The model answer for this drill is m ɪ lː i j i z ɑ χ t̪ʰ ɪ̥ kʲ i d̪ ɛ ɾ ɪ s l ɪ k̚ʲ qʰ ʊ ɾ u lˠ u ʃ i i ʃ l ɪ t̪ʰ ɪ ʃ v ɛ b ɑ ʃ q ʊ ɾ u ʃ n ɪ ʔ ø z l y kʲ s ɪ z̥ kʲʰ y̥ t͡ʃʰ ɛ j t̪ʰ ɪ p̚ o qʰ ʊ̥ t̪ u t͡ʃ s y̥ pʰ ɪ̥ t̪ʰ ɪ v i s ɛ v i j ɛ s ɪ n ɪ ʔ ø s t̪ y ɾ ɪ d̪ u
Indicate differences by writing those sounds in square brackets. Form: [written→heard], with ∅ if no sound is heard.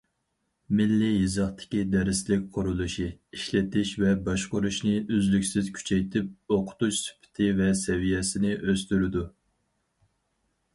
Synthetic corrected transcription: m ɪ lː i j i z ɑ χ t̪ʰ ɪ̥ kʲ i d̪ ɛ ɾ ɪ s l ɪ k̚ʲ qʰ ʊ ɾ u lˠ u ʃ i i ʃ l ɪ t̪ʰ ɪ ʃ v ɛ b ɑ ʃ q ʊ ɾ u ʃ n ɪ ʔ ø z l y kʲ s ɪ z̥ kʲʰ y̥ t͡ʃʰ ɛ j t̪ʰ ɪ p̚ o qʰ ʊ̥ t̪ u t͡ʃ s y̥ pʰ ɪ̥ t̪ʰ ɪ v [i→ɛ] s ɛ v i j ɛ s ɪ n ɪ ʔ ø s t̪ y ɾ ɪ d̪ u